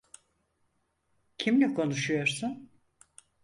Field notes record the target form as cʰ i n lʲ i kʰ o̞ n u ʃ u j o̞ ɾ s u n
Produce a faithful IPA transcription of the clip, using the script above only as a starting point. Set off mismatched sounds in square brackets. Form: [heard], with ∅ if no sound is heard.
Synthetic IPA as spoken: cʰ i [m] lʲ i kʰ o̞ n u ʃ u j o̞ ɾ s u n